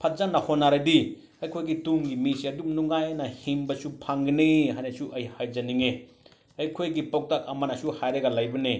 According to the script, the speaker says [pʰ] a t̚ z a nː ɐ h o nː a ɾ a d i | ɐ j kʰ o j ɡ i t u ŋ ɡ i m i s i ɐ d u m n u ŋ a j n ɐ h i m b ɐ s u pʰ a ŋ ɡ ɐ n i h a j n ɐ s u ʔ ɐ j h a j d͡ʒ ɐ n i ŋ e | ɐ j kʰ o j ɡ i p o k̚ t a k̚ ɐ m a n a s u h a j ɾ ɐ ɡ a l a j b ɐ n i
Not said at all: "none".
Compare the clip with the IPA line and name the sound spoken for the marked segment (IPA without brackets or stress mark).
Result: pʰ